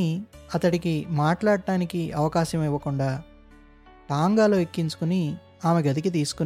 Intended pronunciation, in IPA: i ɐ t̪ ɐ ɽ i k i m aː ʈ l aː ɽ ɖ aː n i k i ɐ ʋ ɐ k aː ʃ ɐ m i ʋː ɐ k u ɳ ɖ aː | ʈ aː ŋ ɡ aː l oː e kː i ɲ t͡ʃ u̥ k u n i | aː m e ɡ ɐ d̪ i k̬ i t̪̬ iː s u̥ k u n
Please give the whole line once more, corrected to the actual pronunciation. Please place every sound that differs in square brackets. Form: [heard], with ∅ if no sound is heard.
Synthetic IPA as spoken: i ɐ t̪ ɐ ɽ i k i m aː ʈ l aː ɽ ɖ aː n i k i ɐ ʋ ɐ k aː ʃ ɐ m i ʋː ɐ k u ɳ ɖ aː | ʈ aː ŋ ɡ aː l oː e kː i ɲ t͡ʃ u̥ k u n i | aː m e ɡ ɐ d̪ i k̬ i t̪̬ iː s u̥ k u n